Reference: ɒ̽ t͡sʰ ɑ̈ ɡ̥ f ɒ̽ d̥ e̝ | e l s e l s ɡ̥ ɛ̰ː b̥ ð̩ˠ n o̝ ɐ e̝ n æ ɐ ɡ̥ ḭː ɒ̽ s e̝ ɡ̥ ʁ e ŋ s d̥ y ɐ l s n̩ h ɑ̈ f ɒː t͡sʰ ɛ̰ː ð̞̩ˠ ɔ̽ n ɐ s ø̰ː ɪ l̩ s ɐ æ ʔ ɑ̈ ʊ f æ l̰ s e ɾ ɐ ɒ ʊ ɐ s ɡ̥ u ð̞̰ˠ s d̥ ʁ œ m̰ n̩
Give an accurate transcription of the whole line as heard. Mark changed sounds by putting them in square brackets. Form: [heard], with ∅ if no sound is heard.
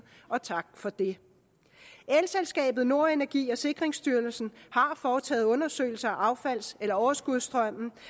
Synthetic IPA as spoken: ɒ̽ t͡sʰ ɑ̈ ɡ̥ f ɒ̽ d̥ e̝ | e l s e l s ɡ̥ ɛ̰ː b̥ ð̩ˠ n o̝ ɐ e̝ n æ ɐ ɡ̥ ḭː ɒ̽ s e̝ ɡ̥ ʁ e ŋ s d̥ y ɐ l s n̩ h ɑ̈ f ɒː t͡sʰ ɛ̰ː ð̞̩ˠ ɔ̽ n ɐ s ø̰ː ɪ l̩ s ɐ æ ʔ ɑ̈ ʊ f æ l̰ s e [l] ɐ ɒ ʊ ɐ s ɡ̥ u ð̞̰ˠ s d̥ ʁ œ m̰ n̩

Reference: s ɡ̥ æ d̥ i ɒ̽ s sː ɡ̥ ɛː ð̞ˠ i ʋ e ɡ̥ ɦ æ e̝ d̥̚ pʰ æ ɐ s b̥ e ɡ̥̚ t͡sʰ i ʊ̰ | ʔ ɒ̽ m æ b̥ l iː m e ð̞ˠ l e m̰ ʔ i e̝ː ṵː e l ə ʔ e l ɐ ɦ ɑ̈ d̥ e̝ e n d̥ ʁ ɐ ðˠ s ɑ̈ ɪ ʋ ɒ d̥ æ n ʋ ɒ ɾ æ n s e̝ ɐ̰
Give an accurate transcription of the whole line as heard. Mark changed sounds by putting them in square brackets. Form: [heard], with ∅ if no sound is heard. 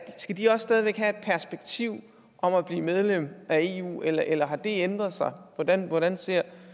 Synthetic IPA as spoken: s ɡ̥ æ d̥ i ɒ̽ s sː [d̥] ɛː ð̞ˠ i ʋ e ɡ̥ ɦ æ e̝ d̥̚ pʰ æ ɐ s b̥ e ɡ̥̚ t͡sʰ i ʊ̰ | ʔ ɒ̽ m æ b̥ l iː m e ð̞ˠ l e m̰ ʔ [æ] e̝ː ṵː e l [ɐ] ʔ e l ɐ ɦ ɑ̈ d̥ e̝ e n d̥ ʁ ɐ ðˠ s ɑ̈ ɪ ʋ ɒ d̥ æ n ʋ ɒ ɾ æ n s e̝ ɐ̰

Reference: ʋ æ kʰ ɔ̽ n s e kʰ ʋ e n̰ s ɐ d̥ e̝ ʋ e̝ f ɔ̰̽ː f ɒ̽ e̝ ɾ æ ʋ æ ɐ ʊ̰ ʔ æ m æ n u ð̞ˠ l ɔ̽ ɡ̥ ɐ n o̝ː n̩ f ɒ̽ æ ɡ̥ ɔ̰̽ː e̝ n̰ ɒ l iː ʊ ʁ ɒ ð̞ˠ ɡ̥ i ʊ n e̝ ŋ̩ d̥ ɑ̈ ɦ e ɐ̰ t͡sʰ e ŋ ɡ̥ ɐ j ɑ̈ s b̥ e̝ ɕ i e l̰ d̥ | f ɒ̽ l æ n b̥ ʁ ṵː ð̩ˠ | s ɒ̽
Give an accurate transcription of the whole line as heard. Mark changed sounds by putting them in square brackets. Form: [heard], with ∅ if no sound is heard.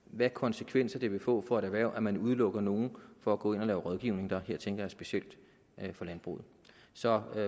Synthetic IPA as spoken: ʋ æ kʰ [ɒ̽] n s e kʰ ʋ e n̰ s ɐ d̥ e̝ ʋ e̝ f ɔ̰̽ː f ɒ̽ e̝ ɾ æ ʋ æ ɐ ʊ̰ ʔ æ m æ n u ð̞ˠ l ɔ̽ ɡ̥ ɐ n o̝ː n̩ f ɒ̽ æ ɡ̥ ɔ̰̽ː e̝ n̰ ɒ l [ɛː] ʊ ʁ ɒ ð̞ˠ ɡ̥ i ʊ n e̝ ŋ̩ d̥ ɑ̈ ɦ e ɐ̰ t͡sʰ e ŋ ɡ̥ ɐ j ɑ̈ s b̥ e̝ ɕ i e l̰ d̥ | f ɒ̽ l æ n b̥ ʁ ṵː ð̩ˠ | s ɒ̽

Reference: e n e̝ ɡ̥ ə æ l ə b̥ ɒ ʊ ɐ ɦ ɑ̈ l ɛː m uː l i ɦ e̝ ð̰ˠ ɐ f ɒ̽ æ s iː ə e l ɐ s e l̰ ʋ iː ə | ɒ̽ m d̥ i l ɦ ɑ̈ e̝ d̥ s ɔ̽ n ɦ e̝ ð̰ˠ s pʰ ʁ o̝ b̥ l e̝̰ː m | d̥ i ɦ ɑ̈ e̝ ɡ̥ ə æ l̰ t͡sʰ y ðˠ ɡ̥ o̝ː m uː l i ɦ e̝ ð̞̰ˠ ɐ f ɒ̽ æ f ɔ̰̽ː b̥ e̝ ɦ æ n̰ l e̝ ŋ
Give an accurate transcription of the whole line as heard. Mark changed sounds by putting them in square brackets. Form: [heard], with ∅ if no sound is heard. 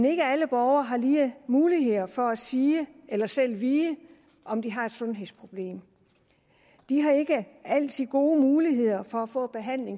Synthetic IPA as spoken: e n e̝ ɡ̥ ə æ l ə b̥ ɒ ʊ ɐ ɦ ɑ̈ l [iː] m uː l i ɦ e̝ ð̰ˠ ɐ f ɒ̽ æ s iː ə e l ɐ s e l̰ ʋ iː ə | ɒ̽ m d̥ i [∅] ɦ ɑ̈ e̝ d̥ s ɔ̽ n ɦ e̝ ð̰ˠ s pʰ ʁ o̝ b̥ l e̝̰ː m | d̥ i ɦ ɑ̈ e̝ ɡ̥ ə æ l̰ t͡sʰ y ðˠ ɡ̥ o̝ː m uː l i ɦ e̝ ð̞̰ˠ ɐ f ɒ̽ æ f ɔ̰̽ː b̥ e̝ ɦ æ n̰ l e̝ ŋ

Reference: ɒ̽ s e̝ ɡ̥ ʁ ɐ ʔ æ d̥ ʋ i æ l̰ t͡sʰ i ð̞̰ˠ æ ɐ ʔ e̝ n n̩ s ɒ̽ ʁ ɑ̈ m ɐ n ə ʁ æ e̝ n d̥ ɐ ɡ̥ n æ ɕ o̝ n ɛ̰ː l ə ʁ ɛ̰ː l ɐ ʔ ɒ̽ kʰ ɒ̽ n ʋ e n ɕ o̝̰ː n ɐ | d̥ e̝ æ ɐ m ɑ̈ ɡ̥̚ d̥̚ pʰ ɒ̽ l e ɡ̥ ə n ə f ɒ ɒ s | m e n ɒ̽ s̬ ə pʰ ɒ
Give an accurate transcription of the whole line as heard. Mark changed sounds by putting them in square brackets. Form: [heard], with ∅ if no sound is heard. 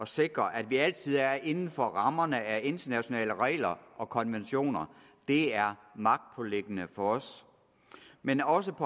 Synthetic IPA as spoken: ɒ̽ s e̝ ɡ̥ ʁ ɐ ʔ æ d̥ ʋ i æ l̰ t͡sʰ i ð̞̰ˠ æ ɐ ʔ e̝ n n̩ [f] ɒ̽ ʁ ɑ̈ m ɐ n ə [∅] æ e̝ n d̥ ɐ [∅] n æ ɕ o̝ n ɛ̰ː l ə ʁ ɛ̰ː l ɐ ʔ ɒ̽ kʰ ɒ̽ n ʋ e n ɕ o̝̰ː n ɐ | d̥ e̝ æ ɐ m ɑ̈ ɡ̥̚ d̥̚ pʰ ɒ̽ l e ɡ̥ ə n ə f ɒ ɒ s | m e n ɒ̽ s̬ ə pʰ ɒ

